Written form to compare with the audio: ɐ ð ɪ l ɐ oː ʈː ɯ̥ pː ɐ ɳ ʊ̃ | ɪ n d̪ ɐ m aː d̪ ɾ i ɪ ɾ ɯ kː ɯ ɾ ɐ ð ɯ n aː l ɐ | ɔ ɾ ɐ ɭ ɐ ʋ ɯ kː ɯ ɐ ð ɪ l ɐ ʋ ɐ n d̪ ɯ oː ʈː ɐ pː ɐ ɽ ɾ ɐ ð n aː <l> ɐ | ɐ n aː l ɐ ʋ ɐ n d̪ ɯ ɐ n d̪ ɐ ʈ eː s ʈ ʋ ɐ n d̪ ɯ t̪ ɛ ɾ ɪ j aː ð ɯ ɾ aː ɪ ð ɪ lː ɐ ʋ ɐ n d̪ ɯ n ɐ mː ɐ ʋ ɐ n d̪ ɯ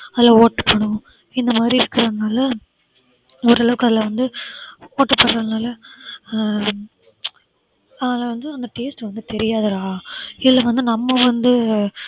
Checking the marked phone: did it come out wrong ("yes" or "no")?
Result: no